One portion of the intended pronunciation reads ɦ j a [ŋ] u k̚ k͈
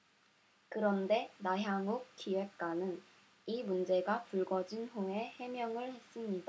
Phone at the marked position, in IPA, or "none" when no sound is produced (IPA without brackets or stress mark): ŋ